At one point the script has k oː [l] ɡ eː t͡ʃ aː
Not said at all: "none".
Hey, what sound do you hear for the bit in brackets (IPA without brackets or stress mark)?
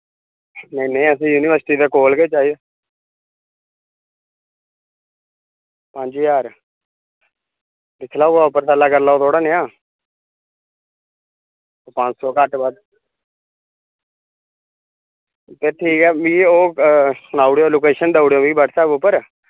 l